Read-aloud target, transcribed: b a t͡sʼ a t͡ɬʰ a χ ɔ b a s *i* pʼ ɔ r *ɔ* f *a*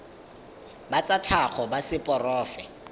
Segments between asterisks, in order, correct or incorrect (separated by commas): incorrect, incorrect, incorrect